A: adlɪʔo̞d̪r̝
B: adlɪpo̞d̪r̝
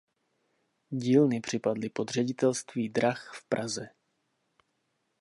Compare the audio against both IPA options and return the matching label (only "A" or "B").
B